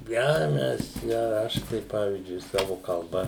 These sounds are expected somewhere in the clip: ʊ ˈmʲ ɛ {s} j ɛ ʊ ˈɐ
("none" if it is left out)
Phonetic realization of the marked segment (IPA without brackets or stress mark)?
s